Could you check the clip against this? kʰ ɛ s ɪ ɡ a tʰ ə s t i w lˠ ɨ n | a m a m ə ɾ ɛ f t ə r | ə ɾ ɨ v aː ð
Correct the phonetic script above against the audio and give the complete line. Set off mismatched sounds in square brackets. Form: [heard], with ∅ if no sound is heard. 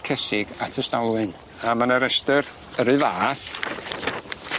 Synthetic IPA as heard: kʰ ɛ s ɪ ɡ a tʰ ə s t [a] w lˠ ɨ n | a m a [n] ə ɾ ɛ [s] t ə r | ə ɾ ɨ v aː [θ]